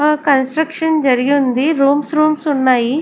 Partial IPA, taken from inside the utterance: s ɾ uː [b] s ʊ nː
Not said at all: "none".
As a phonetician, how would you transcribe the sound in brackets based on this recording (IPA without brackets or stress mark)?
m